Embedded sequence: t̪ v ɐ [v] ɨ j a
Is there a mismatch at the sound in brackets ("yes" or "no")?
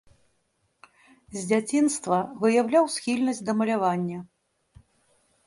no